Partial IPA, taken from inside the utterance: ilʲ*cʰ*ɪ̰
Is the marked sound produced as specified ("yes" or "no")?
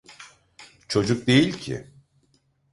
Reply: yes